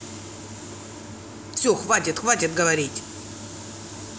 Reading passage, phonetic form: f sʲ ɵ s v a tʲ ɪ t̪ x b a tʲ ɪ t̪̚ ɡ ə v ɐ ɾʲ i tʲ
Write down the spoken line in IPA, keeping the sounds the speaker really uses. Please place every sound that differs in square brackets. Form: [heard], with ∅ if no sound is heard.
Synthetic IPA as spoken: f sʲ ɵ [x] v a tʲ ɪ t̪ x [v] a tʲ ɪ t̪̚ ɡ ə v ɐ ɾʲ i tʲ

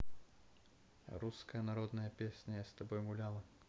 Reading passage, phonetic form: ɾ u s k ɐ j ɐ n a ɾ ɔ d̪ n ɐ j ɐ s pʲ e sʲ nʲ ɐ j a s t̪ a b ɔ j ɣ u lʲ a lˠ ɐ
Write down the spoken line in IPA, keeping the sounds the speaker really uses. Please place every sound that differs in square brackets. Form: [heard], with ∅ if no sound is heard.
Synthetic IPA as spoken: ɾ u s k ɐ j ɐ n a ɾ ɔ d̪ n ɐ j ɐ [∅] pʲ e sʲ nʲ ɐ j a s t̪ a b ɔ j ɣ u lʲ a lˠ ɐ

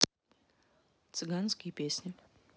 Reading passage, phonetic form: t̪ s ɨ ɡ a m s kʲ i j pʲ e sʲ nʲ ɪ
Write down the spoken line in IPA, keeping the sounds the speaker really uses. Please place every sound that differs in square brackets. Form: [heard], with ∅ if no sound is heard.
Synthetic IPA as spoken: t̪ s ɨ ɡ a [n] s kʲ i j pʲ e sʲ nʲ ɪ

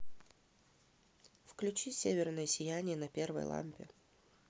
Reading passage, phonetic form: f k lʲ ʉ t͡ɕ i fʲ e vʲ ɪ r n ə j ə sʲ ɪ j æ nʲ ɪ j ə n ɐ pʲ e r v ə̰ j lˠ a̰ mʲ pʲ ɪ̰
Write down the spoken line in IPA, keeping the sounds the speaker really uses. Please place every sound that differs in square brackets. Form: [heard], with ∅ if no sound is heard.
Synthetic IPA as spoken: f k lʲ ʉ t͡ɕ i [sʲ] e vʲ ɪ r n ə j ə sʲ ɪ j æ nʲ ɪ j ə n ɐ pʲ e r v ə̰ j lˠ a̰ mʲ pʲ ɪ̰

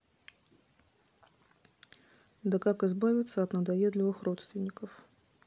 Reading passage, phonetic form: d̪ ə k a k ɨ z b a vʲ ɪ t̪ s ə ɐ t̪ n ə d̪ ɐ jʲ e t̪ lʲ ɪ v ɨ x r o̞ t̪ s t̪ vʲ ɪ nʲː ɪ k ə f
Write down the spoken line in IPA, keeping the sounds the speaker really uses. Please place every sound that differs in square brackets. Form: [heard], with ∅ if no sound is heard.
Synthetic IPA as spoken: d̪ ə k a k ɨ z b a vʲ ɪ t̪ s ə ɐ t̪ n ə d̪ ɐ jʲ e [d̪] lʲ ɪ v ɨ x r o̞ t̪ s t̪ vʲ ɪ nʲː ɪ k ə f

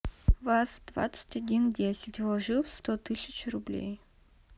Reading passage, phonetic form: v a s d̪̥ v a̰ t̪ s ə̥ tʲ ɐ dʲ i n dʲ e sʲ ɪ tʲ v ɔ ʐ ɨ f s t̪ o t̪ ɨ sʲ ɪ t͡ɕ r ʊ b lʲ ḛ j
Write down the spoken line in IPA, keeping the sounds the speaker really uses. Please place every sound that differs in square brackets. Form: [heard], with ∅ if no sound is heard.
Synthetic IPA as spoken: v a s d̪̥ v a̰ t̪ s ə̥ tʲ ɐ dʲ i n dʲ e sʲ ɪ tʲ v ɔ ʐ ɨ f s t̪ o t̪ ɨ sʲ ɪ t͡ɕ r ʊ b lʲ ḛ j

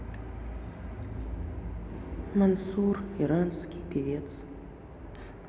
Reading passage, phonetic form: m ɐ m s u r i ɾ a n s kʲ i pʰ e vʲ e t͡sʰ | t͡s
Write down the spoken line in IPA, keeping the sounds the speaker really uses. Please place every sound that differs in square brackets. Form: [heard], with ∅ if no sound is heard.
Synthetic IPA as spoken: m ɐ [n] s u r i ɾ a n s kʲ i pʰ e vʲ e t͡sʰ | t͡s

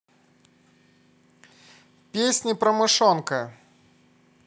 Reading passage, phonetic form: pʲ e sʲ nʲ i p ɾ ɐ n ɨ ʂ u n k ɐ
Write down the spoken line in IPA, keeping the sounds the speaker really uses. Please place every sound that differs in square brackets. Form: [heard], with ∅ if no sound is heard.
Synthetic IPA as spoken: pʲ e sʲ nʲ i p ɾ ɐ [m] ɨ ʂ [ɔ] n k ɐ

